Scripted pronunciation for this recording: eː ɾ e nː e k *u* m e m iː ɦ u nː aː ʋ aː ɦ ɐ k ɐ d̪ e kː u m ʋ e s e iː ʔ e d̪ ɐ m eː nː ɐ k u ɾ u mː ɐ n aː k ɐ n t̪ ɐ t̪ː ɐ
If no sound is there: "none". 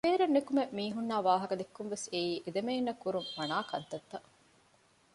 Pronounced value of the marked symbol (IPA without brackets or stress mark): u